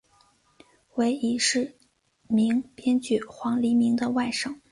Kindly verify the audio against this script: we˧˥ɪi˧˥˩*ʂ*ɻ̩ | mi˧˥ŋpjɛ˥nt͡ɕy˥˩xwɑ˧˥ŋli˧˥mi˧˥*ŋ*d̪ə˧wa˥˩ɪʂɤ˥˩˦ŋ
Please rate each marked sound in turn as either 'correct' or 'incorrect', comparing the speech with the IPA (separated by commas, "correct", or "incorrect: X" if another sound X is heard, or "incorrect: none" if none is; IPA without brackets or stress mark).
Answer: correct, correct